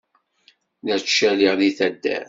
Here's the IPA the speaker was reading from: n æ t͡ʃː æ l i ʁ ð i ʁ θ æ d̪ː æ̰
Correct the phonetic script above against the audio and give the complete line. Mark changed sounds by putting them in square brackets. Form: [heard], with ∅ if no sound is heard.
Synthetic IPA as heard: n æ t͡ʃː æ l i ʁ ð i [∅] θ æ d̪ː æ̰